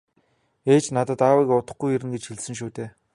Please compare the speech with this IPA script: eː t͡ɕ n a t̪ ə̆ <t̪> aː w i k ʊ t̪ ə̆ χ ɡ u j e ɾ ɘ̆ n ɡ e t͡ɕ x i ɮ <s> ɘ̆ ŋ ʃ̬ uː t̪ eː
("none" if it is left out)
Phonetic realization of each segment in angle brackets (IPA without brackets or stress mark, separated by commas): t̪, s